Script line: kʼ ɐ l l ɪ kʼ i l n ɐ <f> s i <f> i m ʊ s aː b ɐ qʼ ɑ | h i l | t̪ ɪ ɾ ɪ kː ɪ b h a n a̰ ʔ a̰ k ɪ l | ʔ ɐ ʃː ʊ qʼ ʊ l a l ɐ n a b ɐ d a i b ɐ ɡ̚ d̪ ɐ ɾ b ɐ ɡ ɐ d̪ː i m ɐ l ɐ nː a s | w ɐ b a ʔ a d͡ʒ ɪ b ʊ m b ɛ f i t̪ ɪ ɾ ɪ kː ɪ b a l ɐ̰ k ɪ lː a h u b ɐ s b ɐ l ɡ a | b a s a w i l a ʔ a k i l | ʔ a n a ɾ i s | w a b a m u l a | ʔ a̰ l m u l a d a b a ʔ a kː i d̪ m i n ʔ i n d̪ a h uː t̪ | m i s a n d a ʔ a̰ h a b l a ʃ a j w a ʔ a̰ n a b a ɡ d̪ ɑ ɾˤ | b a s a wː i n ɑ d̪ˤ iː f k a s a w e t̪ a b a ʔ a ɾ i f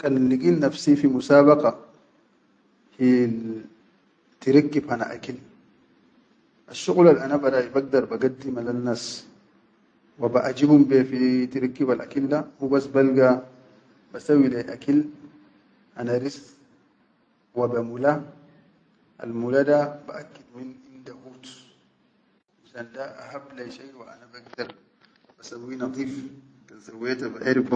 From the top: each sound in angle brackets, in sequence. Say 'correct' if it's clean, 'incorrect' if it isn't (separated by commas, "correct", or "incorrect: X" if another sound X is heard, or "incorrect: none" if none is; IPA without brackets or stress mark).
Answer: correct, correct